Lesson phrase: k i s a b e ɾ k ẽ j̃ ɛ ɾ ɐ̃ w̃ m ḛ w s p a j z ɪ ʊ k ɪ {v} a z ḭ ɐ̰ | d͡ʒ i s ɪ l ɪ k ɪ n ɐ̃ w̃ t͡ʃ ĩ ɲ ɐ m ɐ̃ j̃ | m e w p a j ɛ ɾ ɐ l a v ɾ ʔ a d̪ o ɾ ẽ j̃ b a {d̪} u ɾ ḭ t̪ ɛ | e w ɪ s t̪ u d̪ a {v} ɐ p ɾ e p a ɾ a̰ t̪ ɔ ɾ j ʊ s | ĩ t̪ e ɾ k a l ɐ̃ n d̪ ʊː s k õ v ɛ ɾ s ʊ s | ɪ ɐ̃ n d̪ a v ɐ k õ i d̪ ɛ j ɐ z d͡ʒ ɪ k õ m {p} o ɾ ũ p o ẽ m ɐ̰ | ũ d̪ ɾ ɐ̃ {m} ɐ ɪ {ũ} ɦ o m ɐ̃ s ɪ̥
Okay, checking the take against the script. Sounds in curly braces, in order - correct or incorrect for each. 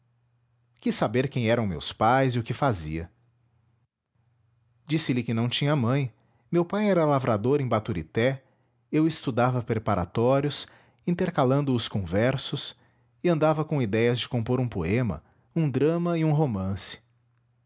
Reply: incorrect: f, incorrect: t̪, correct, correct, correct, correct

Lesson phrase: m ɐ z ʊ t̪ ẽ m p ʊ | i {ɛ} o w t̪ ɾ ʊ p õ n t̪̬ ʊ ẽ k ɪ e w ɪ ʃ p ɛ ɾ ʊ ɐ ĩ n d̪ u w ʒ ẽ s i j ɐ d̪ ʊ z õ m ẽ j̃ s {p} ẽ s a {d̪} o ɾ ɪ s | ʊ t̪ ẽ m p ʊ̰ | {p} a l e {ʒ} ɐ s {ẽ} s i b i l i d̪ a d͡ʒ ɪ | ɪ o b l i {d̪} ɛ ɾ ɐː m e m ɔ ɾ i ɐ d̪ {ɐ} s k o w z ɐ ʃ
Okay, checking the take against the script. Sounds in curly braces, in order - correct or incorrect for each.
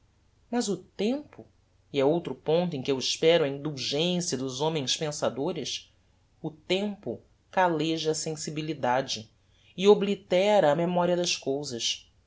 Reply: correct, correct, correct, incorrect: k, correct, correct, incorrect: t̪, correct

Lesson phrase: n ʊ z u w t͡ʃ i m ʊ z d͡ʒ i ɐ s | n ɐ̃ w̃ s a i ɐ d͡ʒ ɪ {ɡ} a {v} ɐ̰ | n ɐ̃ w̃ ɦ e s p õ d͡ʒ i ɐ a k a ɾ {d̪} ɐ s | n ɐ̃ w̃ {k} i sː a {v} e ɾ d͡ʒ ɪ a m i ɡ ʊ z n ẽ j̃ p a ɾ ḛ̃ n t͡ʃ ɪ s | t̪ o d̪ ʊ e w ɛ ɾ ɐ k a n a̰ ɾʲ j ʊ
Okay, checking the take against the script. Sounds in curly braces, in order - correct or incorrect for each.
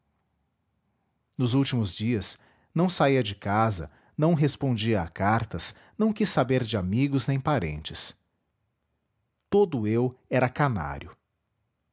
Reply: incorrect: k, incorrect: z, incorrect: t̪, correct, incorrect: b

